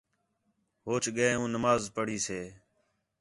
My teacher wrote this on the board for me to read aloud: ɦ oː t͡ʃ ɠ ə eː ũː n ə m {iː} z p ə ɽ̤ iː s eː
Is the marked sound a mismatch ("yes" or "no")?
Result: yes